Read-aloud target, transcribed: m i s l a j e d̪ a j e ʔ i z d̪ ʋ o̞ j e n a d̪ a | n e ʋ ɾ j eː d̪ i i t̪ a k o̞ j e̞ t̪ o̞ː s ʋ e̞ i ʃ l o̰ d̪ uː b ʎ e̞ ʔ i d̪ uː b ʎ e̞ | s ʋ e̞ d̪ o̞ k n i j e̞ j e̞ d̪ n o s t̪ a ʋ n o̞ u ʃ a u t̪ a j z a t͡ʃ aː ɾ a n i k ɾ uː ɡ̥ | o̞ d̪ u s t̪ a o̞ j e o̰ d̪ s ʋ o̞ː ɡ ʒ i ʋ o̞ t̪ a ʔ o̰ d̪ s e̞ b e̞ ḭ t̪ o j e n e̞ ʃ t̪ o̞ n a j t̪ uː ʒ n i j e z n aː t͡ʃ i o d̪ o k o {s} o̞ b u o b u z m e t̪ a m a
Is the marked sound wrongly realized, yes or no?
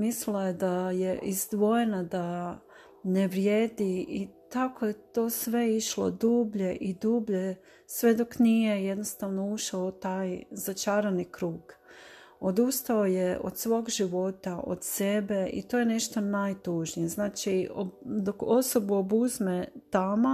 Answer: no